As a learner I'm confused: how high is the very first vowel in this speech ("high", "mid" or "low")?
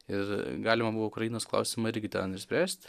high